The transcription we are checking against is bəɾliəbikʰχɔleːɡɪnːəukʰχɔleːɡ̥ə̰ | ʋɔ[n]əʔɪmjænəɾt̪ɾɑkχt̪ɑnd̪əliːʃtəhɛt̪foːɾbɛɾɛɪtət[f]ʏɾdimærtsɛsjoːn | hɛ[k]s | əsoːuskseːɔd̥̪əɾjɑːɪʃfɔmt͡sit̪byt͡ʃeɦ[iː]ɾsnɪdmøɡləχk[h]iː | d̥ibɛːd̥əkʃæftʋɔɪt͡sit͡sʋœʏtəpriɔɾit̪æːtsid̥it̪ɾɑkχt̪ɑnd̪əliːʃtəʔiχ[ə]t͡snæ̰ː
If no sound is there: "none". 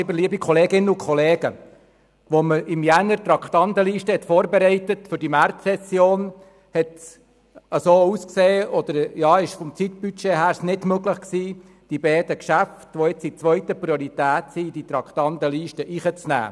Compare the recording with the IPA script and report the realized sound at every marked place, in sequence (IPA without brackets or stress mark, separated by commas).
m, f, t, æː, s, ə